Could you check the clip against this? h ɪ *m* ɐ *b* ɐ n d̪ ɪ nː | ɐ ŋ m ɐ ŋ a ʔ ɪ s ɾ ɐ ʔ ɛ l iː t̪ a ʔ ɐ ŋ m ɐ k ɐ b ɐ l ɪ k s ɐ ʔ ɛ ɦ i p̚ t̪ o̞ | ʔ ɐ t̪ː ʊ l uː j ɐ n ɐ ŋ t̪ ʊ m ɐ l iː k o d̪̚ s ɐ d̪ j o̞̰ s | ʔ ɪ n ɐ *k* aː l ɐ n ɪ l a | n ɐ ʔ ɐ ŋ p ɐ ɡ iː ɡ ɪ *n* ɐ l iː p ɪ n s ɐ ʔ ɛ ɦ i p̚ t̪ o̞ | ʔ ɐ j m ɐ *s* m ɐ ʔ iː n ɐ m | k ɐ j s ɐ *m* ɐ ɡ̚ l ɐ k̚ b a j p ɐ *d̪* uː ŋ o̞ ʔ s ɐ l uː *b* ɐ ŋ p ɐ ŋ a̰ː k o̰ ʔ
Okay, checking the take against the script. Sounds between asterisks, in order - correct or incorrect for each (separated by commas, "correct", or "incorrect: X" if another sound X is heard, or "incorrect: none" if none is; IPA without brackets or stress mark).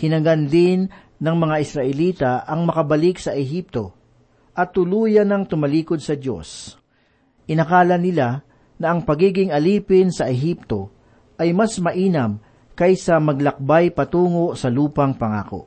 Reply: incorrect: n, incorrect: ɡ, correct, incorrect: ŋ, correct, correct, incorrect: t̪, incorrect: p